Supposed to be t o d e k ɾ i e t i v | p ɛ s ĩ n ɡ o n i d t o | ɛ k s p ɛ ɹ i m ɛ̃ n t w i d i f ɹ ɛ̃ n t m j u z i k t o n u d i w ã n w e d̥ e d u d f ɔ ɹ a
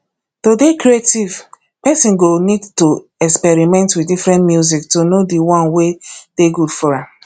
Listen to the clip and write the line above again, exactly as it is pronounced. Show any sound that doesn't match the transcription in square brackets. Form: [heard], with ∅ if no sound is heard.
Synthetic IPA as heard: t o d e k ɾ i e t i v | p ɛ s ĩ n ɡ o n i d t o | ɛ k s p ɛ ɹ i m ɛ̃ n t w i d i f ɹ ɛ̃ n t m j u z i k t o n [o] d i w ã n w e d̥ e [ɡ] u d f ɔ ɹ a